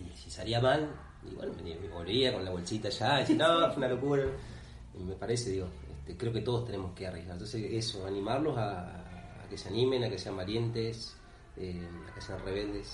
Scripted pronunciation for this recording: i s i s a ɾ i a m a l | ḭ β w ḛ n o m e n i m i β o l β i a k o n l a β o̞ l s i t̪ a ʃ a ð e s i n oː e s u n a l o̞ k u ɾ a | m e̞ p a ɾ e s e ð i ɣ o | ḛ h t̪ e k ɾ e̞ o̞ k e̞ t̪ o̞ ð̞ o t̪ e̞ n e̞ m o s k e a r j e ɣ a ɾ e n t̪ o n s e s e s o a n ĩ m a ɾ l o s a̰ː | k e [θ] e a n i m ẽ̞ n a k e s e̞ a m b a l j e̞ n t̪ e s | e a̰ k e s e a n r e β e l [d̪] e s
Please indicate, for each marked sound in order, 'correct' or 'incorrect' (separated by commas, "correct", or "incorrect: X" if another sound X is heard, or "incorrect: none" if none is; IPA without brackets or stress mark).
incorrect: s, correct